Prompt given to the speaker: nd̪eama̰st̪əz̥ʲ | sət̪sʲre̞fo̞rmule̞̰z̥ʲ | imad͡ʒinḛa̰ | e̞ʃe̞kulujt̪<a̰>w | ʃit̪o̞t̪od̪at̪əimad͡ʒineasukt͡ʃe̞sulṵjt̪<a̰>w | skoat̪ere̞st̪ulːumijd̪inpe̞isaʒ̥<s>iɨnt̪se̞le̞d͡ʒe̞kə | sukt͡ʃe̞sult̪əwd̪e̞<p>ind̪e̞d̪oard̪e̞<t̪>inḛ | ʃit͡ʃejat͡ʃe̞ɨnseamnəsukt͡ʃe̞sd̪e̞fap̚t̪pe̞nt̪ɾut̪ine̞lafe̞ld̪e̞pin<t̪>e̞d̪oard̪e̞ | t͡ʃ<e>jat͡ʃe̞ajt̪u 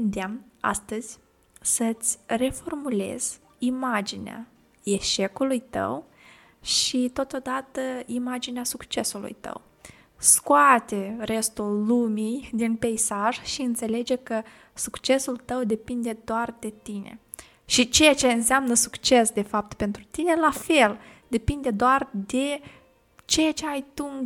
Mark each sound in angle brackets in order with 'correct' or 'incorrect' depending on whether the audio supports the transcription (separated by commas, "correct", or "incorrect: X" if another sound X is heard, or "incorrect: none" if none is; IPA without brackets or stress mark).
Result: incorrect: ə̰, incorrect: ə̰, incorrect: ʃ, correct, correct, incorrect: d̪, correct